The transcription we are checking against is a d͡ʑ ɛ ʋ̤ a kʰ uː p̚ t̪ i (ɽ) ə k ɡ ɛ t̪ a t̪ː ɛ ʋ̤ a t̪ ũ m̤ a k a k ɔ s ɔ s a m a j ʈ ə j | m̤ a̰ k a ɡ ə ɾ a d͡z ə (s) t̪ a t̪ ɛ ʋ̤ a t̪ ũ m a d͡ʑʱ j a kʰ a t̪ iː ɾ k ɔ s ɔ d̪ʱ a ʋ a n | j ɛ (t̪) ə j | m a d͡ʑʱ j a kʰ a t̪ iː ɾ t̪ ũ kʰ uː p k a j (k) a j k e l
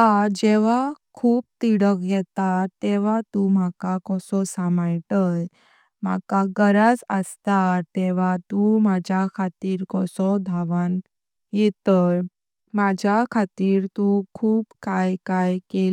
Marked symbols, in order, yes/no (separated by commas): yes, yes, yes, yes